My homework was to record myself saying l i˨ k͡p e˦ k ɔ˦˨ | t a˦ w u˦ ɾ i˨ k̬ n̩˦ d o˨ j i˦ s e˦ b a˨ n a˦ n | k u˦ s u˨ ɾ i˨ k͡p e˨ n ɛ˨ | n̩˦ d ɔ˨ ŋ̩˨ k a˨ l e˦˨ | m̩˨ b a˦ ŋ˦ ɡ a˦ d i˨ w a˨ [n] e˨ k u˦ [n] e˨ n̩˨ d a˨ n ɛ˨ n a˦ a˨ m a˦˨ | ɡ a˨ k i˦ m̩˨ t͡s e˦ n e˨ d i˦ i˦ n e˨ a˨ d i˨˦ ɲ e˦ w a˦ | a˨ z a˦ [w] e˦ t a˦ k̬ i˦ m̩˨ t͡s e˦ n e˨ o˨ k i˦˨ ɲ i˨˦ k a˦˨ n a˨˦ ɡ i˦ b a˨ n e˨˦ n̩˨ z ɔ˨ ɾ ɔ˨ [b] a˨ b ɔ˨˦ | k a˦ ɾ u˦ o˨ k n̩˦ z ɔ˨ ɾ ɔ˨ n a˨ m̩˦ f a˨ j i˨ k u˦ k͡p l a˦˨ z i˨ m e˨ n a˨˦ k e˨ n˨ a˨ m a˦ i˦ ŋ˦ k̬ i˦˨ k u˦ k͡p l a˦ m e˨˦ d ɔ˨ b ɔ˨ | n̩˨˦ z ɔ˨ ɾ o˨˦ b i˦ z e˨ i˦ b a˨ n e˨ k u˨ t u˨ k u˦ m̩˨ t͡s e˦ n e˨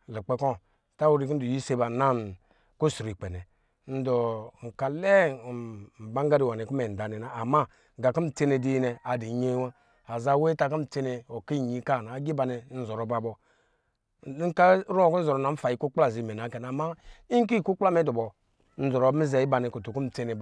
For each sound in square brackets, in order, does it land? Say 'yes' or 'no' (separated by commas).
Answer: yes, no, yes, yes